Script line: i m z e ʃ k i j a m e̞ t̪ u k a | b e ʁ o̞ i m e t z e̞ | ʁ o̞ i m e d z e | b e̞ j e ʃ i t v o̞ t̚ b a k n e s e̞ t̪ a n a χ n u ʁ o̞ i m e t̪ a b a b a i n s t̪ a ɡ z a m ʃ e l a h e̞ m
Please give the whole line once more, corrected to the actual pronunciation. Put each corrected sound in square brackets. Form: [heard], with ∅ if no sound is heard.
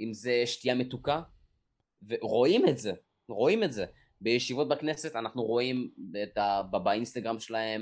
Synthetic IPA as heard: i m z e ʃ [t] i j a m e̞ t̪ u k a | [v] e ʁ o̞ i m e t z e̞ | ʁ o̞ i m e [t] z e | b e̞ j e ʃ i [∅] v o̞ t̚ b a k n e s e̞ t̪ a n a χ n u ʁ o̞ i m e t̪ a b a b a i n s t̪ a ɡ [ʁ] a m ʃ e l a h e̞ m